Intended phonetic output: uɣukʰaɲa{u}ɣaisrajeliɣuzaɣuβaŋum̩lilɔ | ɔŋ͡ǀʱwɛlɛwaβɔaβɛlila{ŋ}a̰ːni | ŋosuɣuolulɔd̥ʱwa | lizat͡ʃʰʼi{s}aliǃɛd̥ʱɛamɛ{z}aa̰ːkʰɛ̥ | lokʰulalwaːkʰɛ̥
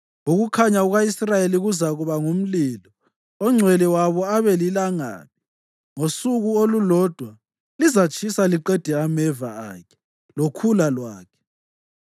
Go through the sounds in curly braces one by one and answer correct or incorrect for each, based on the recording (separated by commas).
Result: correct, correct, correct, incorrect